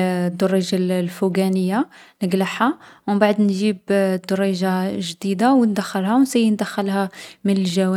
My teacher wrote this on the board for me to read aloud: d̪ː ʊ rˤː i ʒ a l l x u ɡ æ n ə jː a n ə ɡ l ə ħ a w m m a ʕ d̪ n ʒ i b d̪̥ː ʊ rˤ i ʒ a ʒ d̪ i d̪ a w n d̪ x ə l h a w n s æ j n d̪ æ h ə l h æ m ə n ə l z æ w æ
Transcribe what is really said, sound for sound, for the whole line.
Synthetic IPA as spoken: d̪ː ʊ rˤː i ʒ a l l f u ɡ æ n ə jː a n ə ɡ l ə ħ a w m b a ʕ d̪ n ʒ i b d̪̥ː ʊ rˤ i ʒ a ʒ d̪ i d̪ a w n d̪ x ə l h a w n s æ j n d̪ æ x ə l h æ m ə n ə l ʒ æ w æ